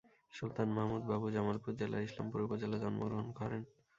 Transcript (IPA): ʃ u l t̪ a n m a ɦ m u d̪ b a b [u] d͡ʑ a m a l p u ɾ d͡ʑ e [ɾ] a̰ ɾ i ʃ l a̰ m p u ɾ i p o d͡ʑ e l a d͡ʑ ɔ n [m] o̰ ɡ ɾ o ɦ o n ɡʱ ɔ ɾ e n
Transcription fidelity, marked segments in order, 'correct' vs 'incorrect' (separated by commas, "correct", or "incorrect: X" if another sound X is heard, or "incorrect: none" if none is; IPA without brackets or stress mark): correct, incorrect: l, correct